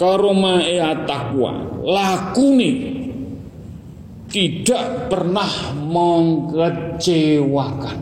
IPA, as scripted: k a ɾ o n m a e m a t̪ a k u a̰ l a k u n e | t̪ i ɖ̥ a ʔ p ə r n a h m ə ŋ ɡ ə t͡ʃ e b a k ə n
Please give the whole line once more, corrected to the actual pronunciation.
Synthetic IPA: k a ɾ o m a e a t̪ a k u a̰ l a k u n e | t̪ i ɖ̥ a ʔ p ə r n a h m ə ŋ k ə t͡ʃ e w a k a n